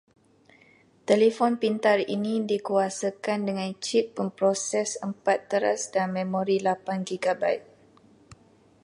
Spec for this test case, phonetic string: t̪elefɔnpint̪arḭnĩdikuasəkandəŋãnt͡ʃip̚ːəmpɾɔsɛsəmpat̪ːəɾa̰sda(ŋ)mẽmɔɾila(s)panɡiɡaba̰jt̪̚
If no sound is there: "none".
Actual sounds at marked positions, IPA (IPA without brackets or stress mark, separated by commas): n, none